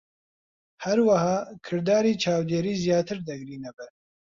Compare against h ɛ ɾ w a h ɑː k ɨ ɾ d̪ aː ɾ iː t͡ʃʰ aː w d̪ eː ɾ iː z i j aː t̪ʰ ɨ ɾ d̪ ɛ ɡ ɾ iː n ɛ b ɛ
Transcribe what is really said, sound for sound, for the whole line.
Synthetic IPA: h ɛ ɾ w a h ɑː kʰ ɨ ɾ d̪ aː ɾ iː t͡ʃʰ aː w d̪ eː ɾ iː z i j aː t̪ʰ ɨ ɾ d̪ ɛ ɡ ɾ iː n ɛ b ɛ